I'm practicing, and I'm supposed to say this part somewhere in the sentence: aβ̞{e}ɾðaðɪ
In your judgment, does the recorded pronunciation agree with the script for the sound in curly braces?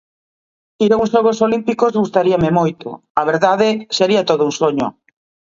yes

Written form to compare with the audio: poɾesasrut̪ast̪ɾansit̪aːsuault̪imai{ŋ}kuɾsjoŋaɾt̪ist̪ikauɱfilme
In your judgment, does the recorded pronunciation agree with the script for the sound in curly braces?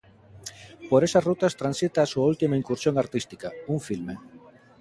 yes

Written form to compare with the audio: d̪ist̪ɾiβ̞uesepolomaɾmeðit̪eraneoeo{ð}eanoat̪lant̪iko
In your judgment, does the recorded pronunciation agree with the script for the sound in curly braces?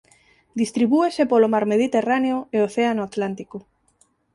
no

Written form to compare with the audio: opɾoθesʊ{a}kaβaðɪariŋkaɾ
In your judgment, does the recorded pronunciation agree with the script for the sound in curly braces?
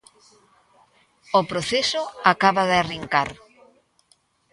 yes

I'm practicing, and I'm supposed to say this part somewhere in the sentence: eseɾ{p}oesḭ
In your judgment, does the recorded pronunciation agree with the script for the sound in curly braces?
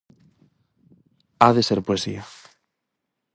yes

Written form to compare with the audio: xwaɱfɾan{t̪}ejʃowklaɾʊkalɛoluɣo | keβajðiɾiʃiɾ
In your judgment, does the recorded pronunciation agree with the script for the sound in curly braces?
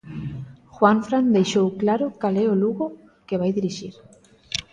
no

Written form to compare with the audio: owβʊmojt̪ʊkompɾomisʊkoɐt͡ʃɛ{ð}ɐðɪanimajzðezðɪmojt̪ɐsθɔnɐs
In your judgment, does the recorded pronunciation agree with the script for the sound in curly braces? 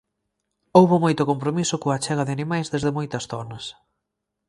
no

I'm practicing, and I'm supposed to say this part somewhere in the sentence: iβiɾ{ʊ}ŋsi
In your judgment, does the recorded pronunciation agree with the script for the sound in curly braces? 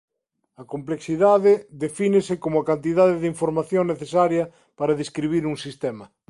no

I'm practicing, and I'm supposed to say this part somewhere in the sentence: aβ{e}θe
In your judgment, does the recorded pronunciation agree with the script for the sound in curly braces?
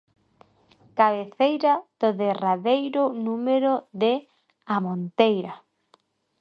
yes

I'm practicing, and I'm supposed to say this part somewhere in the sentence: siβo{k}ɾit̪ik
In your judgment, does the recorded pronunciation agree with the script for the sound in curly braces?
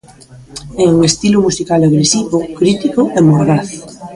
yes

